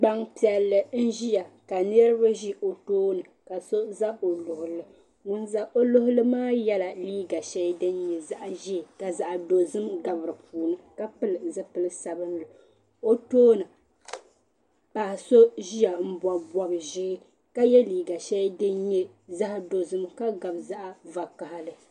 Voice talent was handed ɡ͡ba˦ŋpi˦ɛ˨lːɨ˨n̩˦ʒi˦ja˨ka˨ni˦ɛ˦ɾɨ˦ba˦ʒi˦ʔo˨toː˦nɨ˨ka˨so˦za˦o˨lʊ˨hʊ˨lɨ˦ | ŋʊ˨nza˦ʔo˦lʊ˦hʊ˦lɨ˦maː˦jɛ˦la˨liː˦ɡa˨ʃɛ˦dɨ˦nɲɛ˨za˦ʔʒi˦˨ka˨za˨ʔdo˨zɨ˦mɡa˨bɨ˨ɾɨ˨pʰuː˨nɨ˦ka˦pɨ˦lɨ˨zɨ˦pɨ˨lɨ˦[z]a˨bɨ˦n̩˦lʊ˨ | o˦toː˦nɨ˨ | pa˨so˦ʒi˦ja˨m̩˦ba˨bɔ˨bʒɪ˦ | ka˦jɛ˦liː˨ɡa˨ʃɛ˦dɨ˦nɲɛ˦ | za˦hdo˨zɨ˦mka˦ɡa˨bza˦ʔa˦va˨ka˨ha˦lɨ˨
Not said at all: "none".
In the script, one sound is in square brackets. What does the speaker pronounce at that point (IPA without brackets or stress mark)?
s